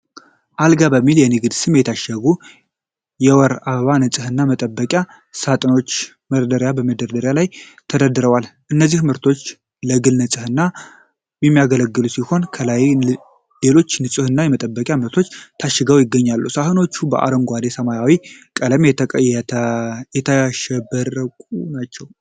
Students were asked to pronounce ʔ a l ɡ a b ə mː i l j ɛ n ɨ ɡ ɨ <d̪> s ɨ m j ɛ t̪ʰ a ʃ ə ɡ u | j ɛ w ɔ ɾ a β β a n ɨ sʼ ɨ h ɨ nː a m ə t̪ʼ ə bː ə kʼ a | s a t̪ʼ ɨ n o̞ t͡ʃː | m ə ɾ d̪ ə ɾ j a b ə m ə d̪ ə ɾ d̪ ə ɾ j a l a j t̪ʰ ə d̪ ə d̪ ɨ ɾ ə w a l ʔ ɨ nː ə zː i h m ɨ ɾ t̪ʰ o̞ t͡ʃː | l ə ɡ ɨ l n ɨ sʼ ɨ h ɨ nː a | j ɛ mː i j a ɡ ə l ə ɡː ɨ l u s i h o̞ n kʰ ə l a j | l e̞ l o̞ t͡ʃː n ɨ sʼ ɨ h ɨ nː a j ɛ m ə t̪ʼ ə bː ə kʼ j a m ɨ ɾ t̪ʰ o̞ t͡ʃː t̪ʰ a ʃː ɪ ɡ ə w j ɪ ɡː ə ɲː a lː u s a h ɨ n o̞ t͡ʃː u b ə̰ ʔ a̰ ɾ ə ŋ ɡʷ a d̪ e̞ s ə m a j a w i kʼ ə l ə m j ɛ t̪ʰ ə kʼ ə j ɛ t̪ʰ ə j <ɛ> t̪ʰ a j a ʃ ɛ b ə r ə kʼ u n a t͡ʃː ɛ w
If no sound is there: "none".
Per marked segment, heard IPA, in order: d̪, ɛ

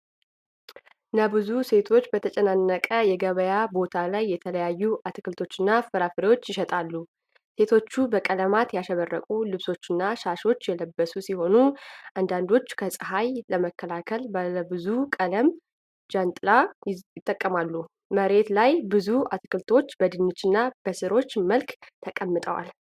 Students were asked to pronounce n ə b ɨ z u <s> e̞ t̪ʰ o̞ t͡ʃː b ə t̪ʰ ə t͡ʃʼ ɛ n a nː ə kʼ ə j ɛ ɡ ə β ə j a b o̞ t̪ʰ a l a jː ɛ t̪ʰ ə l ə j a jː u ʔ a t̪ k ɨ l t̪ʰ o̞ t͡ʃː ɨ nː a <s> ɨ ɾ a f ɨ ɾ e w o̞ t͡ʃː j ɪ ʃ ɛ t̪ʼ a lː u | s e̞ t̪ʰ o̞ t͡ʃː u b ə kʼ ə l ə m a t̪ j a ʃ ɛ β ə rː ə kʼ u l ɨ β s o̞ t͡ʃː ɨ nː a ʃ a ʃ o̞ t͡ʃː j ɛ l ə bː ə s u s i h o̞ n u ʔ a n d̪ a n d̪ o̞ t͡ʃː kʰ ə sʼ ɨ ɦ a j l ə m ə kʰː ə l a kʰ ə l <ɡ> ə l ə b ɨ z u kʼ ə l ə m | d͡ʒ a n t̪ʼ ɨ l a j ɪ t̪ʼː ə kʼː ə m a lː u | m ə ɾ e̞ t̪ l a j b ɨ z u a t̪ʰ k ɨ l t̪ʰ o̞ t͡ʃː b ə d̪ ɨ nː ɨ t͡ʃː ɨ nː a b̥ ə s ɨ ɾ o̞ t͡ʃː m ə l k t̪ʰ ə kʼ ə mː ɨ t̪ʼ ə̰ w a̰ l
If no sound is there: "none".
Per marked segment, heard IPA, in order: s, f, b

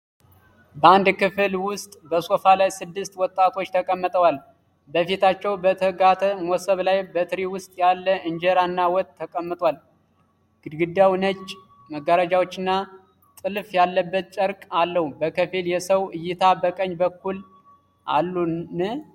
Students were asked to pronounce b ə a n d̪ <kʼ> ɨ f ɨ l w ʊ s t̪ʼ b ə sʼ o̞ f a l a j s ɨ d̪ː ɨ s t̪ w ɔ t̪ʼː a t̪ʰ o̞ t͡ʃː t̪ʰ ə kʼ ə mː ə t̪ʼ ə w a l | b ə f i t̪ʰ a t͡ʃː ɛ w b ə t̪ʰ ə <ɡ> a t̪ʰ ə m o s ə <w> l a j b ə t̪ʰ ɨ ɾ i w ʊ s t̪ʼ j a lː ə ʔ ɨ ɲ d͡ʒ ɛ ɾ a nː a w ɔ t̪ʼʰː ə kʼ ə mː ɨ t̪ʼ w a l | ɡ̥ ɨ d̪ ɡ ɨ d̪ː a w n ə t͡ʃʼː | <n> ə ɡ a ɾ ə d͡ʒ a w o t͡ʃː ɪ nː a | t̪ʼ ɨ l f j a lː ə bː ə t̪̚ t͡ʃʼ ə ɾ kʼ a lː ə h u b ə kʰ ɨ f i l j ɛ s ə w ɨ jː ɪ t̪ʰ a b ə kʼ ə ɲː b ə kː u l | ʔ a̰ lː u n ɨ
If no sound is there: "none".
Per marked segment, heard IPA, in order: k, ɡ, β, m

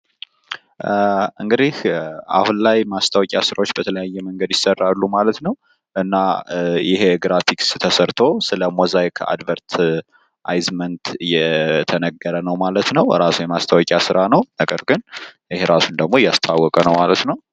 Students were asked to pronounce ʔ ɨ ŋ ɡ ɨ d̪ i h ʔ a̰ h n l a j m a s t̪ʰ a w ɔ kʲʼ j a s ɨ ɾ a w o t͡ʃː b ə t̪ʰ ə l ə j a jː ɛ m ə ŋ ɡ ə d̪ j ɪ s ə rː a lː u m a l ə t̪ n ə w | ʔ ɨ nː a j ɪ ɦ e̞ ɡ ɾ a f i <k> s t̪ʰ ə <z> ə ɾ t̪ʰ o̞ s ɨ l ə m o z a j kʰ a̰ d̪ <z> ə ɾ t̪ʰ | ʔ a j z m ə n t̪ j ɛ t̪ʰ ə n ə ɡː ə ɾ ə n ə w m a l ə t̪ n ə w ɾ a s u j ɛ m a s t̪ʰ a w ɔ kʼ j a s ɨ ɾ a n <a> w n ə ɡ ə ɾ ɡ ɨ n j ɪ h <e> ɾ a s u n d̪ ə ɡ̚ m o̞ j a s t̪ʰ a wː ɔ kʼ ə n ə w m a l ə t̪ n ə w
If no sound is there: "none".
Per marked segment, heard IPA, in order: k, s, v, ə, e

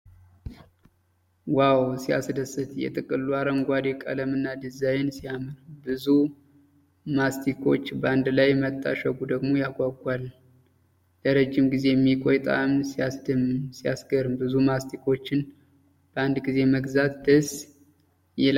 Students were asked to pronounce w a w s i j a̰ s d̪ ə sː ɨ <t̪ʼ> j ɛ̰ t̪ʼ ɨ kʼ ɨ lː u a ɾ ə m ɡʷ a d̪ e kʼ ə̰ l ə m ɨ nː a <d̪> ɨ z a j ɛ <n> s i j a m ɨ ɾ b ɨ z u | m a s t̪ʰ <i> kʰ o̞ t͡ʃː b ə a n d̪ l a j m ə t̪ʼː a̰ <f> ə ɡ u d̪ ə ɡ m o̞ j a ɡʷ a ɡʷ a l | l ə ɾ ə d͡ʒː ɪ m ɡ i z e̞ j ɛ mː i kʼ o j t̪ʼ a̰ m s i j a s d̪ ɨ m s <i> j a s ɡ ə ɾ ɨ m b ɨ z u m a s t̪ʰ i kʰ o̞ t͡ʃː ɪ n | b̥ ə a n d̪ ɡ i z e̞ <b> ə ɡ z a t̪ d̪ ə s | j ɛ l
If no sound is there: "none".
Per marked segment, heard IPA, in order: t̪, d̪, n, i, ʃ, i, m

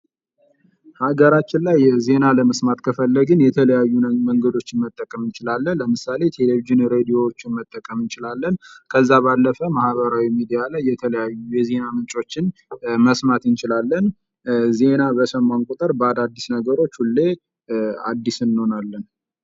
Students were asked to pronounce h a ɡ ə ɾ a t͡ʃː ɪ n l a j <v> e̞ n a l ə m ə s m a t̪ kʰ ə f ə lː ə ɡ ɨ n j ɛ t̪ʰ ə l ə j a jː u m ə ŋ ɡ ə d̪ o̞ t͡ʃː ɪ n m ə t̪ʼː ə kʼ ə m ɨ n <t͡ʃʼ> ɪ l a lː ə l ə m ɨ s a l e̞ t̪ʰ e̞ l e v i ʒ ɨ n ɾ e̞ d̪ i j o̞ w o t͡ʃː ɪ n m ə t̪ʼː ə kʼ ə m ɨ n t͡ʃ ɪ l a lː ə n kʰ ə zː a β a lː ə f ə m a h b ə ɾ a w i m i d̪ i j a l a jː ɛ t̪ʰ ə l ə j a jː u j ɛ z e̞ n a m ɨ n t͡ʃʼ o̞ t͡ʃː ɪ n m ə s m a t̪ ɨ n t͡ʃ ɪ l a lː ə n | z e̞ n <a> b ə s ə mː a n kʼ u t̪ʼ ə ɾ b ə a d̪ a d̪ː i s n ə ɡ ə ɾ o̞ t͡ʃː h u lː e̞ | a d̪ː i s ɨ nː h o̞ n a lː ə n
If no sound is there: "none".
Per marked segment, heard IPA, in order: z, t͡ʃ, a

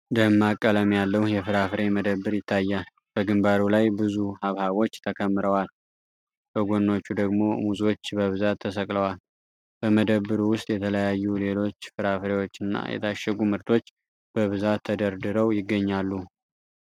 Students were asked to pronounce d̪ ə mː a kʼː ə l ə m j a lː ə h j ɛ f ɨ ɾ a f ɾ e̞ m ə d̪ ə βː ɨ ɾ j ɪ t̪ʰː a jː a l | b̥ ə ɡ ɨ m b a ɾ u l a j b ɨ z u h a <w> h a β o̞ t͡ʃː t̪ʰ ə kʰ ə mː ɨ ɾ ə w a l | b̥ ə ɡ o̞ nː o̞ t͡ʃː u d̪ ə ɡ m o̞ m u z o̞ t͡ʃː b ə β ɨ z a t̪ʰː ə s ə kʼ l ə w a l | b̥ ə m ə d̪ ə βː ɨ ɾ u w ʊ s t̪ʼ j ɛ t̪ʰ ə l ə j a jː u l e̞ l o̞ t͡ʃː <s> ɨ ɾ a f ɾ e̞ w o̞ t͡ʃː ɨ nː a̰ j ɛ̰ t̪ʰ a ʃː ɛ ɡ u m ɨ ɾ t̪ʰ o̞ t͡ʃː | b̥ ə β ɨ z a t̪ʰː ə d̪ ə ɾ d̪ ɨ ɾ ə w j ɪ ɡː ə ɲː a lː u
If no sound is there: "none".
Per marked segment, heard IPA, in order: β, f

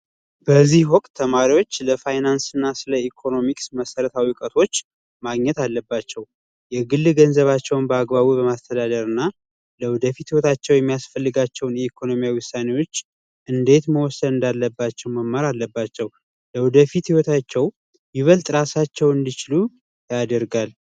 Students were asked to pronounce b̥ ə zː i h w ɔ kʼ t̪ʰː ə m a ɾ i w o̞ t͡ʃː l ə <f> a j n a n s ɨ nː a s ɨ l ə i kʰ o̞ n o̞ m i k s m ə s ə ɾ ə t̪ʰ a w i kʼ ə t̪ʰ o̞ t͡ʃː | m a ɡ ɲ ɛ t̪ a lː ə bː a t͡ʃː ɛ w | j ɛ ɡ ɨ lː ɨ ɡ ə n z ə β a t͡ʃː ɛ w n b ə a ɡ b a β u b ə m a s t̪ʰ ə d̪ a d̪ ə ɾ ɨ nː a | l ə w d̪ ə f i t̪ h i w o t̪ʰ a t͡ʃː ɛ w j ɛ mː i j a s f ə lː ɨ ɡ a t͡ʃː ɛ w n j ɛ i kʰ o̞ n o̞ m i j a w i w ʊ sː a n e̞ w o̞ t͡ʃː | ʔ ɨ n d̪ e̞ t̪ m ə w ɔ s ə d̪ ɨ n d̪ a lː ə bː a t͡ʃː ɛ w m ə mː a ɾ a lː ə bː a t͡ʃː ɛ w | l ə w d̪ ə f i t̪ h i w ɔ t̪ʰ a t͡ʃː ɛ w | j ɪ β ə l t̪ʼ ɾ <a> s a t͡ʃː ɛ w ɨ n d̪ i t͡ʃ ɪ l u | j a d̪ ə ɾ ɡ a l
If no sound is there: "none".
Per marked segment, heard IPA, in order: f, a

